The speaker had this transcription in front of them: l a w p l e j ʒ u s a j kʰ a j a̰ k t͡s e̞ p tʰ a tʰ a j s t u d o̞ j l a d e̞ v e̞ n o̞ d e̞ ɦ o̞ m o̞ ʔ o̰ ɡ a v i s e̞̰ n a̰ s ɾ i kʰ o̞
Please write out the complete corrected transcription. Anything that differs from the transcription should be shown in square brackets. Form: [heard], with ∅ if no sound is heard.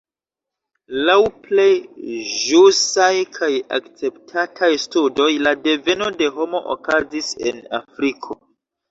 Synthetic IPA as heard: l a w p l e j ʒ u s a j kʰ a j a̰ k t͡s e̞ p tʰ a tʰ a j s t u d o̞ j l a d e̞ v e̞ n o̞ d e̞ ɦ o̞ m o̞ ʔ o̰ [k] a [z] i s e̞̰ n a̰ [f] ɾ i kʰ o̞

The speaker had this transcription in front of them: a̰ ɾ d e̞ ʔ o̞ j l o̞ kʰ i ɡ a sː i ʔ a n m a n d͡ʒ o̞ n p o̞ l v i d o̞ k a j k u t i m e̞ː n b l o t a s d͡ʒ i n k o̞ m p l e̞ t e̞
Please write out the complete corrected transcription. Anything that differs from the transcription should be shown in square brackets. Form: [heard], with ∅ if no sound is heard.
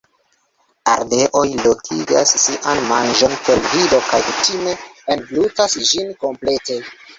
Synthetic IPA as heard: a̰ ɾ d e̞ ʔ o̞ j l o̞ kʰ i ɡ a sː i ʔ a n m a n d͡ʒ o̞ n p o̞ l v i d o̞ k a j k u t i m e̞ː n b l [u] t a s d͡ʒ i n k o̞ m p l e̞ t e̞

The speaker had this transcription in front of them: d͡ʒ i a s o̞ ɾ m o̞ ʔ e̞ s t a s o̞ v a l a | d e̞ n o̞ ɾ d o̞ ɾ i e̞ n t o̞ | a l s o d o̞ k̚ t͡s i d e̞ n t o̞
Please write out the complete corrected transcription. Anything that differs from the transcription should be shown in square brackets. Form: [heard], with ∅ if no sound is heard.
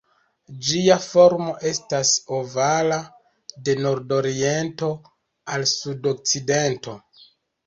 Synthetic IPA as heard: d͡ʒ i a [f] o̞ ɾ m o̞ ʔ e̞ s t a s o̞ v a l a | d e̞ n o̞ ɾ d o̞ ɾ i e̞ n t o̞ | a l s [u] d o̞ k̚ t͡s i d e̞ n t o̞

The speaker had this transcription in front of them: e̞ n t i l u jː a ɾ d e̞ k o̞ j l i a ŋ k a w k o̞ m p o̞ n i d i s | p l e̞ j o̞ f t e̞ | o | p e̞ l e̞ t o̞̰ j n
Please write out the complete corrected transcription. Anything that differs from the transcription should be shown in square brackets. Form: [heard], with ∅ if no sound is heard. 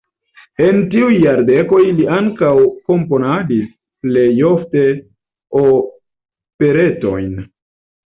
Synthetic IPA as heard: e̞ n t i [∅] u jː a ɾ d e̞ k o̞ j l i a ŋ k a w k o̞ m p o̞ n [a] d i s | p l e̞ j o̞ f t e̞ | o | p e̞ [ɾ] e̞ t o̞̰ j n

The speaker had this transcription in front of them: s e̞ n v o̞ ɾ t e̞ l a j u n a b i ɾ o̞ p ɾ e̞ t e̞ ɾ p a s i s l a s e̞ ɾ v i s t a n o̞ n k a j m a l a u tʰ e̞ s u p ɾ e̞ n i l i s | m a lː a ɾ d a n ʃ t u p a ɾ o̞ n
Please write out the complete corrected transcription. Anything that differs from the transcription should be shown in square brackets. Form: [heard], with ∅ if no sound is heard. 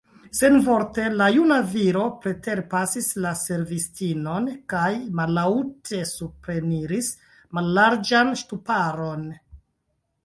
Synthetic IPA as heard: s e̞ n v o̞ ɾ t e̞ l a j u n a [v] i ɾ o̞ p ɾ e̞ t e̞ ɾ p a s i s l a s e̞ ɾ v i s t [i] n o̞ n k a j m a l a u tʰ e̞ s u p ɾ e̞ n i [ɾ] i s | m a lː a ɾ [d͡ʒ] a n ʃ t u p a ɾ o̞ n

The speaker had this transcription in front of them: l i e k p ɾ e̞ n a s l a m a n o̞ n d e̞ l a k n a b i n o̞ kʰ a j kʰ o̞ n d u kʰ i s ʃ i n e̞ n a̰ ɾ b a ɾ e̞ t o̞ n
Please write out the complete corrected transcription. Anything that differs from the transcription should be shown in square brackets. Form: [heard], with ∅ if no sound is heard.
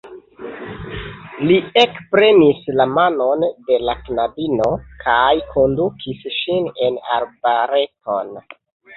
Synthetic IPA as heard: l i e k p ɾ e̞ n [i] s l a m a n o̞ n d e̞ l a k n a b i n o̞ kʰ a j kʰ o̞ n d u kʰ i s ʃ i n e̞ n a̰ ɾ b a ɾ e̞ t o̞ n

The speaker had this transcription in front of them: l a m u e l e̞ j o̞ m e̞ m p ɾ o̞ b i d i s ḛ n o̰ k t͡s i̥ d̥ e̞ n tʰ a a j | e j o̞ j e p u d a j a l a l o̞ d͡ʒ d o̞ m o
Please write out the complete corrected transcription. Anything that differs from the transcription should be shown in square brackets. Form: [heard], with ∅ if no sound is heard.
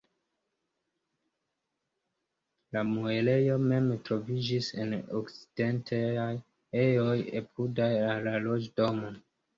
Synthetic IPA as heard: l a m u e l e̞ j o̞ m e̞ m [t] ɾ o̞ [v] i [d͡ʒ] i s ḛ n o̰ k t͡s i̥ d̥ e̞ n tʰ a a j | e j o̞ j e p u d a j a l a l o̞ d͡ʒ d o̞ m o

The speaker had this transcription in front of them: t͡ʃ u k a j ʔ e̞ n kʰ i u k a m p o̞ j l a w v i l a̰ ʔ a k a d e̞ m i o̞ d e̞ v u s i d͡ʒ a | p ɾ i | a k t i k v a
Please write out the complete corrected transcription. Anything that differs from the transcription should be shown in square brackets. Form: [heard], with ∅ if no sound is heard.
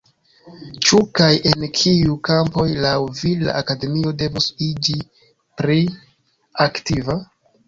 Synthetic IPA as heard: t͡ʃ u k a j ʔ e̞ n kʰ i u k a m p o̞ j l a w v i l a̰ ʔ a k a d e̞ m i o̞ d e̞ v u s i d͡ʒ [i] | p ɾ i | a k t i [∅] v a

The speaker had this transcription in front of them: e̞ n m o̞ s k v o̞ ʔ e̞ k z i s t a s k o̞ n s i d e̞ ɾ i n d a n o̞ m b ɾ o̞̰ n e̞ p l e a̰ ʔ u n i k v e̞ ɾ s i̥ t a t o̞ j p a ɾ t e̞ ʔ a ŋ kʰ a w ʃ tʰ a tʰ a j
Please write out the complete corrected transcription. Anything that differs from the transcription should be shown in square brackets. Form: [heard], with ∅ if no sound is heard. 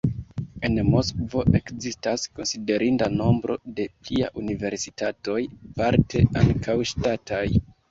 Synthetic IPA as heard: e̞ n m o̞ s k v o̞ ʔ e̞ k z i s t a s k o̞ n s i d e̞ ɾ i n d a n o̞ m b ɾ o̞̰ [d] e̞ p l [i] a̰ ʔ u n i [∅] v e̞ ɾ s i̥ t a t o̞ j p a ɾ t e̞ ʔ a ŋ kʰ a w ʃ [t] a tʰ a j

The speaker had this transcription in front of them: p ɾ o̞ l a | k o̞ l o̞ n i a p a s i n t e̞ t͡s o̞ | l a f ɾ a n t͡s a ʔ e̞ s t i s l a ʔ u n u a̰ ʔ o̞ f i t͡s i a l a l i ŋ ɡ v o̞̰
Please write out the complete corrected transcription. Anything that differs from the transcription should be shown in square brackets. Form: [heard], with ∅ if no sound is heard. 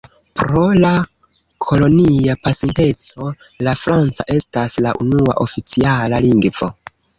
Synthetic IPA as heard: p ɾ o̞ l a | [kʰ] o̞ l o̞ n i a p a s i n t e̞ t͡s o̞ | l a f ɾ a n t͡s a ʔ e̞ s t [a] s l a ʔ u n u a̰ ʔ o̞ f i t͡s i a l a l i ŋ ɡ v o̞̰

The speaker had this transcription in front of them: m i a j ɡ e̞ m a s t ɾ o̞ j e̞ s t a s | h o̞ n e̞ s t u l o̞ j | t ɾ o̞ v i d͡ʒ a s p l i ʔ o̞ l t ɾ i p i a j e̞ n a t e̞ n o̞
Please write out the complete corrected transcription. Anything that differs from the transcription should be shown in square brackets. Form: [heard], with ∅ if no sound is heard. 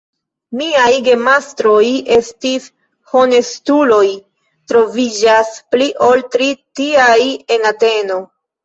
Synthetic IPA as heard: m i a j ɡ e̞ m a s t ɾ o̞ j e̞ s t [i] s | h o̞ n e̞ s t u l o̞ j | t ɾ o̞ v i d͡ʒ a s p l i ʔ o̞ l t ɾ i [t] i a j e̞ n a t e̞ n o̞

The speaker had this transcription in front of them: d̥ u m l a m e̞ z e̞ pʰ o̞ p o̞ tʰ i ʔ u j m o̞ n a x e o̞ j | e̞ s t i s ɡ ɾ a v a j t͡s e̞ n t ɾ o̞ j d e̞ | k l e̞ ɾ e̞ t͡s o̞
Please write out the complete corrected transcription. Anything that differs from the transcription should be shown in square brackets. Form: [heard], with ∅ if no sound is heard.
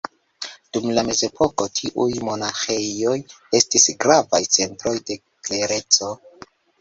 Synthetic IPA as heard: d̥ u m l a m e̞ z e̞ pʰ o̞ [k] o̞ tʰ i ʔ u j m o̞ n a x e o̞ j | e̞ s t i s ɡ ɾ a v a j t͡s e̞ n t ɾ o̞ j d e̞ | k l e̞ ɾ e̞ t͡s o̞

